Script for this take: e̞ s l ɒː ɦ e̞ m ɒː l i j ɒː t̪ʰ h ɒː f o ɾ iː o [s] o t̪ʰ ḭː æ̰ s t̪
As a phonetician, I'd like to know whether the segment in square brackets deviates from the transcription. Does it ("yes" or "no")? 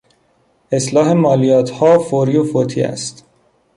yes